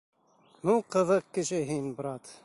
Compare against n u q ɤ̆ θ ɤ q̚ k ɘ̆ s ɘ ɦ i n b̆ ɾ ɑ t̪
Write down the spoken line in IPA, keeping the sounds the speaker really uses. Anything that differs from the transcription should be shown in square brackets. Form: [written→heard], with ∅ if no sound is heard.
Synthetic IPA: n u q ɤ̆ [θ→ð] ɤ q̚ k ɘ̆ [s→ʃ] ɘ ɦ i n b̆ ɾ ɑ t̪